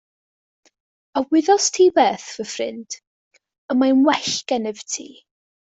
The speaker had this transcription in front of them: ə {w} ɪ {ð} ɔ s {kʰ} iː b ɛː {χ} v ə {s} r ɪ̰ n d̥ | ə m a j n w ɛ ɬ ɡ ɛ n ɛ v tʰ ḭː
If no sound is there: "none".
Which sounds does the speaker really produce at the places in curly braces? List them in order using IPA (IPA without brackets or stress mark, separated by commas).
w, ð, tʰ, θ, f